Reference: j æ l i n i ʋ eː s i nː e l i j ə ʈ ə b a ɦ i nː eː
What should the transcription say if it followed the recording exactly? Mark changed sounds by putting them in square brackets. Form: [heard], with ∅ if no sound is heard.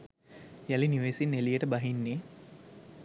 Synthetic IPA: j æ l i n i ʋ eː s i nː e l i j ə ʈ ə b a ɦ i nː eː